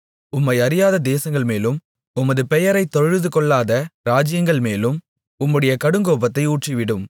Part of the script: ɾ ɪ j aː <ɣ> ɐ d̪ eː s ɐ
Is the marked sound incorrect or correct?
incorrect: ð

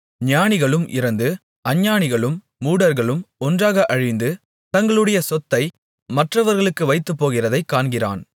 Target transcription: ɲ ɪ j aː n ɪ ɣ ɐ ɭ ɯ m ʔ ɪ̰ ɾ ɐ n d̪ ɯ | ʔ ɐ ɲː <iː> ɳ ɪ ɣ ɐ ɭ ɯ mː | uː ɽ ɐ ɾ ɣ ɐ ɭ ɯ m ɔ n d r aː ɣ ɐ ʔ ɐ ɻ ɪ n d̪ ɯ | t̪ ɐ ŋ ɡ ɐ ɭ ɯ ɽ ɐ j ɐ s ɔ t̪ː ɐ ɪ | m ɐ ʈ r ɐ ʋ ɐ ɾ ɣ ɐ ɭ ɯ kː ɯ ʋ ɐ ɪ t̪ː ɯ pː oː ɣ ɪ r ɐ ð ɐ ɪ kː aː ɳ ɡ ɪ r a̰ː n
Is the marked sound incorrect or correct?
incorrect: aː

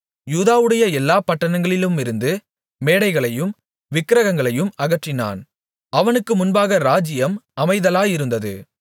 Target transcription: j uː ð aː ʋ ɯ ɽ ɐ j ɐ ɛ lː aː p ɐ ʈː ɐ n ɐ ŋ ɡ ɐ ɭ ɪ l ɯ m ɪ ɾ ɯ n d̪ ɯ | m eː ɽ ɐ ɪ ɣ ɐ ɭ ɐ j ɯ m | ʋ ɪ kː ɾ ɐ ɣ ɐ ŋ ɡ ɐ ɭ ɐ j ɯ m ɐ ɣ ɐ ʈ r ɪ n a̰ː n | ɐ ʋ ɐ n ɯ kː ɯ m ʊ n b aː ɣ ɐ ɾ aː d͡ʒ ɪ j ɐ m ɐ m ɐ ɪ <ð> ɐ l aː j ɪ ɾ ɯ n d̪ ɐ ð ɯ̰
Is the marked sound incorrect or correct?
correct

